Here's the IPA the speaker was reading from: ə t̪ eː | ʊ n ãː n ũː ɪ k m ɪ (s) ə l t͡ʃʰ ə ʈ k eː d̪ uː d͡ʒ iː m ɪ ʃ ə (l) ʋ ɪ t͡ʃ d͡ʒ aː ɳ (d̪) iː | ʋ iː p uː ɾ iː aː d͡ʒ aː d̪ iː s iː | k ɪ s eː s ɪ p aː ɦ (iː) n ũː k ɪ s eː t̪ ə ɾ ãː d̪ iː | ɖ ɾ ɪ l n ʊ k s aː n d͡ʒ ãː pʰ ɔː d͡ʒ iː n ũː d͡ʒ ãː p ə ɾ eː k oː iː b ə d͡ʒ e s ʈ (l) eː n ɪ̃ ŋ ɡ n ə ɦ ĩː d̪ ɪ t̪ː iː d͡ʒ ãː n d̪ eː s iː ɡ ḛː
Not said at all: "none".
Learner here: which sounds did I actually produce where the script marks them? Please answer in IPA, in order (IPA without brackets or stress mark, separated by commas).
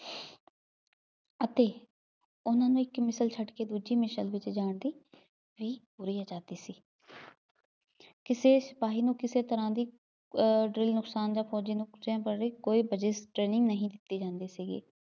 s, l, d̪, iː, ɾ